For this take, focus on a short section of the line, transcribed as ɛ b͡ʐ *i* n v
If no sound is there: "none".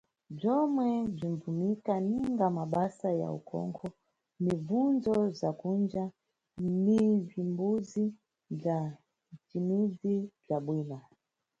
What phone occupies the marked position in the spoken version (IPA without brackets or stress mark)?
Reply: i